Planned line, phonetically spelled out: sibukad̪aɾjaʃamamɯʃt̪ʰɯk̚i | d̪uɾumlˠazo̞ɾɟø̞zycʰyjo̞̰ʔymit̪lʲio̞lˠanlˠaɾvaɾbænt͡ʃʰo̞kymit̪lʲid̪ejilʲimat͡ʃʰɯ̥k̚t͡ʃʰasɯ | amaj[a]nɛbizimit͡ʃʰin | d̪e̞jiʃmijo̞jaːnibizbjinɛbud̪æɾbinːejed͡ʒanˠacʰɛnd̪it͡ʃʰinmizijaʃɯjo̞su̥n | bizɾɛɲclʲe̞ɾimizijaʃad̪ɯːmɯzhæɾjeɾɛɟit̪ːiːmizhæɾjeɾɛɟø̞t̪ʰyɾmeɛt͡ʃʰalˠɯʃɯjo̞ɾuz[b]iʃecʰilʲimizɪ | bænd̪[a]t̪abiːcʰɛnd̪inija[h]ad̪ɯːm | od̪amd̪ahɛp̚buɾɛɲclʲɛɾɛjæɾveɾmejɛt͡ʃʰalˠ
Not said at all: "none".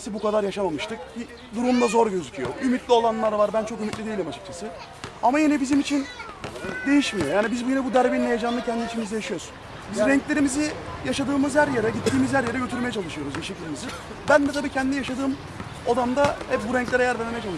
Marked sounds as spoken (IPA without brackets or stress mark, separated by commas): i, b, ɛ, ʃ